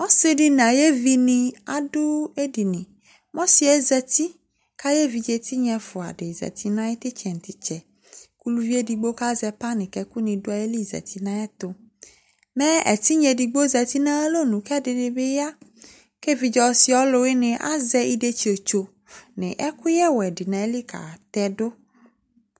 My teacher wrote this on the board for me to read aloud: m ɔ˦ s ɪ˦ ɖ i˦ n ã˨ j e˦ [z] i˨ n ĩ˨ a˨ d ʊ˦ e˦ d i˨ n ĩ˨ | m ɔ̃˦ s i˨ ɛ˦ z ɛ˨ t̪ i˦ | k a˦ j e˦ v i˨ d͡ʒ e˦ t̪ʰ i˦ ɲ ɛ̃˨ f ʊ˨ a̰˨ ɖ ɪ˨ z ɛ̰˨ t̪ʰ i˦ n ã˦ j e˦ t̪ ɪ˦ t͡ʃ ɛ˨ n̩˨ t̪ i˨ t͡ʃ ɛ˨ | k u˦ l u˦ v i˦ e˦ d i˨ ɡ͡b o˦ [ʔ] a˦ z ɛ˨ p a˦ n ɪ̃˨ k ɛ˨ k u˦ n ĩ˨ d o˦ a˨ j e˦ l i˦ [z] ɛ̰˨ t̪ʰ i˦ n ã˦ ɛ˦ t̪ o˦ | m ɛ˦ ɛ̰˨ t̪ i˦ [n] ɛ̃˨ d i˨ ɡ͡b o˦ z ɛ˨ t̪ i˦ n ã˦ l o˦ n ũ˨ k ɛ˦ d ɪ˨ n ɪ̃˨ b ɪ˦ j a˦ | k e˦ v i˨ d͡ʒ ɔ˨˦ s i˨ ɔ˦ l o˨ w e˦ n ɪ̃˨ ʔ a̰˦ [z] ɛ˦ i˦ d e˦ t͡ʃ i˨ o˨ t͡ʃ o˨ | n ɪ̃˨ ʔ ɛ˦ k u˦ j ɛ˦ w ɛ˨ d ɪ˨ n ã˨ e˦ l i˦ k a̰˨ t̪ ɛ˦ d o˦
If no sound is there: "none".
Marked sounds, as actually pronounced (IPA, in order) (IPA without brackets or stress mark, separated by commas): v, k, z, ɲ, z